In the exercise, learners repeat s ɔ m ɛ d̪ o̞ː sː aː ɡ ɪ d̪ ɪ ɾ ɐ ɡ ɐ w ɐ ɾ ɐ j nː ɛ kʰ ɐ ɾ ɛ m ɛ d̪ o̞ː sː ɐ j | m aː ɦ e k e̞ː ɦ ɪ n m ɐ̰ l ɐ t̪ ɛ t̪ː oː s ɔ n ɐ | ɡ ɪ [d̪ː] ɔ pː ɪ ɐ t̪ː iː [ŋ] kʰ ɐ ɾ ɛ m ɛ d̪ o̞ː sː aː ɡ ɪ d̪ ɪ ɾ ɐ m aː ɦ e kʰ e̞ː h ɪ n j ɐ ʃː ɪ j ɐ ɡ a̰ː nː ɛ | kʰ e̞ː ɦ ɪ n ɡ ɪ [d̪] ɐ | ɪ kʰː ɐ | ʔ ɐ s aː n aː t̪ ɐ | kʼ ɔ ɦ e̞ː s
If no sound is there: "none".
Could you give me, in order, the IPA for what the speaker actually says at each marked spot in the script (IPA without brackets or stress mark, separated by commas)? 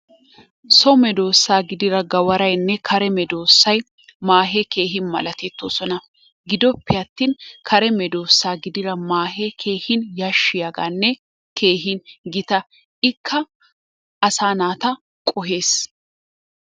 d̪, n, t̪